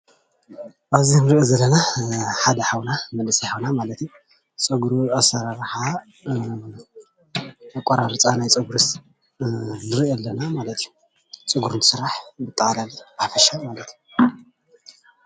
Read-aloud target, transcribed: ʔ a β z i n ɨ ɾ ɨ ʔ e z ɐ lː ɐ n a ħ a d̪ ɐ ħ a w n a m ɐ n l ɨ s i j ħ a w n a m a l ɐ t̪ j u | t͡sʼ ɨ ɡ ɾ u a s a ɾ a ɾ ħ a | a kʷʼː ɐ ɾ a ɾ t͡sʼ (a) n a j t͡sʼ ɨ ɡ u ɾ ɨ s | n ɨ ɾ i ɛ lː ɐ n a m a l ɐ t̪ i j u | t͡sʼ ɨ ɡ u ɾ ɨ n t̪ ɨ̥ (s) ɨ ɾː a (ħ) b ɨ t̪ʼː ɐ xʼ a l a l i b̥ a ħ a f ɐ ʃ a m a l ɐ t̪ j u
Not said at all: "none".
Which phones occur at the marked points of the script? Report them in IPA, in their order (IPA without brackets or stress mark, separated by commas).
a, s, ħ